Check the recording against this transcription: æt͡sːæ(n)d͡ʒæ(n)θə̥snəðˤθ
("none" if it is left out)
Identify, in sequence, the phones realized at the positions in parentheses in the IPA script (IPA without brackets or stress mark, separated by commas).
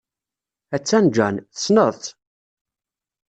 n, n